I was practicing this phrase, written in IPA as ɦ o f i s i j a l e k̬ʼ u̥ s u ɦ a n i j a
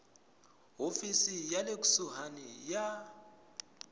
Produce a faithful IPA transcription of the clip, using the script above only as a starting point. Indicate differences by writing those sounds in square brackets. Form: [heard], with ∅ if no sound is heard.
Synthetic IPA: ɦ o f i s i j a l e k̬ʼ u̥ s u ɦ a n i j a

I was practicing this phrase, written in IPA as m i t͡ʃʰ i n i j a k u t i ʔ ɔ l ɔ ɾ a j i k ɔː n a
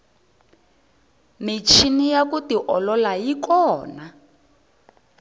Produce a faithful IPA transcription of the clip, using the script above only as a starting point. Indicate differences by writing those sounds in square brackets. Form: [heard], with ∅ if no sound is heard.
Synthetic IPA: m i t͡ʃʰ i n i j a k u t i ʔ ɔ l ɔ [l] a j i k ɔː n a

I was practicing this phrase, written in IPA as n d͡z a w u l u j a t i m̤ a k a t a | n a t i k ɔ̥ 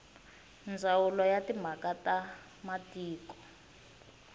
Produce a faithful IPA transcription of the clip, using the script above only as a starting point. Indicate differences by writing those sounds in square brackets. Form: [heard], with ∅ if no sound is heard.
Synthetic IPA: n d͡z a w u l [ɔ] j a t i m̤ a k a t a | [m] a t [iː] k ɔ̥

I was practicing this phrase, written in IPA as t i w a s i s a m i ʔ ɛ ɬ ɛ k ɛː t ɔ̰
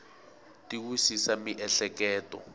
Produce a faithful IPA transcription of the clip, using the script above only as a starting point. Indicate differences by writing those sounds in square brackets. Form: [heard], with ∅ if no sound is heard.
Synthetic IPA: t i w [i] s i s a m i ʔ ɛ ɬ ɛ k ɛː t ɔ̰

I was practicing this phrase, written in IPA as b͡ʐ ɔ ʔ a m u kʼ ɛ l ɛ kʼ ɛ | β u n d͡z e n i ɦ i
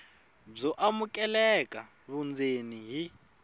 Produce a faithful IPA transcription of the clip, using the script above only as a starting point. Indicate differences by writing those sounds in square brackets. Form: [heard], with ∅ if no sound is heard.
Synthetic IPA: b͡ʐ ɔ ʔ a m u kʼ ɛ l ɛ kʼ [a] | β u n d͡z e n i ɦ i

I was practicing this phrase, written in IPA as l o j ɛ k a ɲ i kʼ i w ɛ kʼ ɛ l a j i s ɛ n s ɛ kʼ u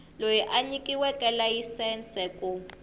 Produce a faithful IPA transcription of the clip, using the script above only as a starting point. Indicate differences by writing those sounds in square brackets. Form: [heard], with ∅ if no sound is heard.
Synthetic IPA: l o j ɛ [ʔ] a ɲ i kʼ i w ɛ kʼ ɛ l a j i s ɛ n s ɛ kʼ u

